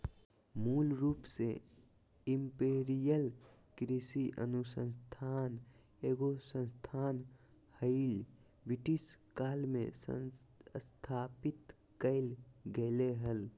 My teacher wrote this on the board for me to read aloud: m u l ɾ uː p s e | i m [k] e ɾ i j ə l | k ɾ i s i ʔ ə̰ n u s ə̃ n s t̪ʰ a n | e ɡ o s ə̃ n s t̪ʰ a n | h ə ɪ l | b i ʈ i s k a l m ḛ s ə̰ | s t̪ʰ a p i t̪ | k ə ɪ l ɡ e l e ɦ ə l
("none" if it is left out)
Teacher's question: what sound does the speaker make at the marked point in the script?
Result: p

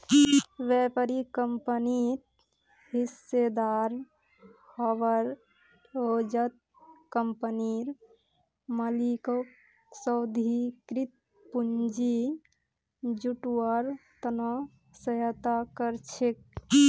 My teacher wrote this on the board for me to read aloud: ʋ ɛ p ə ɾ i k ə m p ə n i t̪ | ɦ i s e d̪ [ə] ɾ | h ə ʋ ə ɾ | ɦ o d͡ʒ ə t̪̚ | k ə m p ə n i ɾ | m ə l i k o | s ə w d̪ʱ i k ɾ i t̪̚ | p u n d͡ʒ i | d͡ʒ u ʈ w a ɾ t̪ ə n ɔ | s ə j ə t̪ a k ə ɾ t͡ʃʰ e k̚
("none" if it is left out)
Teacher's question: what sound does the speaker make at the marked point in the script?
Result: a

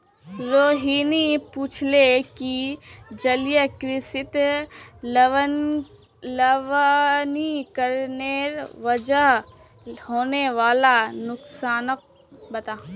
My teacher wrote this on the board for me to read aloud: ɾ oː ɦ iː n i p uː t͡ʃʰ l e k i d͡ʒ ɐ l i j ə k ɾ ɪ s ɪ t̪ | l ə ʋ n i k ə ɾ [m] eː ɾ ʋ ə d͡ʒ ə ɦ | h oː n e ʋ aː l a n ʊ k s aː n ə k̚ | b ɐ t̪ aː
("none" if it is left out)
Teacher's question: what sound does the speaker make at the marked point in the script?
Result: n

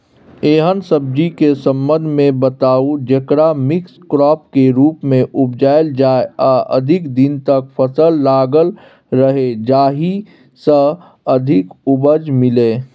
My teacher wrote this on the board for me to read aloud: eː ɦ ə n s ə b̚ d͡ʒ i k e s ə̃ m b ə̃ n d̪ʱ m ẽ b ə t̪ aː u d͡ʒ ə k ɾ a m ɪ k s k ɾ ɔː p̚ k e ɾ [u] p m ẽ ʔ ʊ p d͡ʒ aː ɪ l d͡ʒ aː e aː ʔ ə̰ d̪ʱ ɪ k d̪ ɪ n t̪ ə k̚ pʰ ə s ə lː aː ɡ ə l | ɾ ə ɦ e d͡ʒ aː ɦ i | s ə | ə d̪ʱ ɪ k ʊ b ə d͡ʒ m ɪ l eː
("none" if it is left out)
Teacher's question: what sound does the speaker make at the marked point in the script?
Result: uː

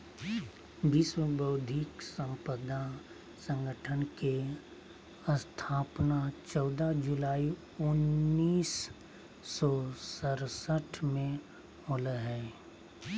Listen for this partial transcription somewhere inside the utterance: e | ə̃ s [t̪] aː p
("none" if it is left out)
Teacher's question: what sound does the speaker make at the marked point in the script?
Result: t̪ʰ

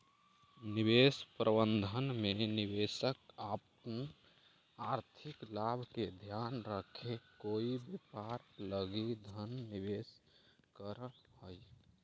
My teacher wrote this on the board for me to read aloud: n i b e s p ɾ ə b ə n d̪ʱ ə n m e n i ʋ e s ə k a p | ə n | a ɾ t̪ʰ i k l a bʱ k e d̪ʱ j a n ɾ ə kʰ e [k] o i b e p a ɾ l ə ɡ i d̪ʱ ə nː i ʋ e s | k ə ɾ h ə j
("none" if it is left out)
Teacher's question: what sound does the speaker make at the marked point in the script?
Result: k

